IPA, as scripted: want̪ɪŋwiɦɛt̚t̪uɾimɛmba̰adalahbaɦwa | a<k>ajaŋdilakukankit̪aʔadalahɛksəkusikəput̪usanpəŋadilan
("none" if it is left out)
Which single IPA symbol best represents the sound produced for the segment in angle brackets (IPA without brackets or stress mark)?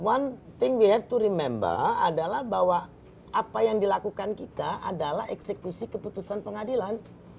p